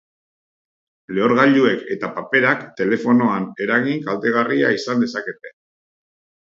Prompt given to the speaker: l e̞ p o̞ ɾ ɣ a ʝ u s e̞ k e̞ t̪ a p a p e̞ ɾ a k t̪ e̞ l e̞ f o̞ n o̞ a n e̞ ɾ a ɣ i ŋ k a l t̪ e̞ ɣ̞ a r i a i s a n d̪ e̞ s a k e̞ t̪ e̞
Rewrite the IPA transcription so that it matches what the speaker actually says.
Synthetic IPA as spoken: l e̞ o̞ ɾ ɣ a ʎ u e̞ k e̞ t̪ a p a p e̞ ɾ a k t̪ e̞ l e̞ f o̞ n o̞ a n e̞ ɾ a ɣ i ŋ k a l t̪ e̞ ɣ̞ a r i a i s a n d̪ e̞ s a k e̞ t̪ e̞